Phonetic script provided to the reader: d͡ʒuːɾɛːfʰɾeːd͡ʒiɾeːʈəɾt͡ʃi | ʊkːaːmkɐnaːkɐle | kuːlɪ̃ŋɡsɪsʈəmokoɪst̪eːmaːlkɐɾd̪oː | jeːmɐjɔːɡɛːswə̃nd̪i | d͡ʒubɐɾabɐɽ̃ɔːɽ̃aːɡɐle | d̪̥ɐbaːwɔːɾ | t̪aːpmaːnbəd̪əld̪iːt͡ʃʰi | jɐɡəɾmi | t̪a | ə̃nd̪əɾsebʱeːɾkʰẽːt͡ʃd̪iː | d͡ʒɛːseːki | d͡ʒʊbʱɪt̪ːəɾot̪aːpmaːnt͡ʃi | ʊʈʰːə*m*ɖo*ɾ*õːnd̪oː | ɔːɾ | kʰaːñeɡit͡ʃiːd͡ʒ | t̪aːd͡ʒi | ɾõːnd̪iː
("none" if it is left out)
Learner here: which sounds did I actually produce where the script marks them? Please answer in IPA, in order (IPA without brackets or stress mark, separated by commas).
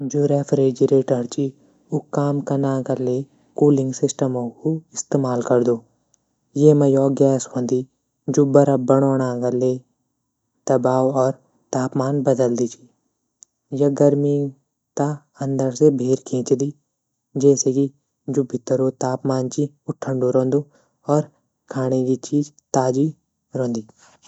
ɳ, ɾ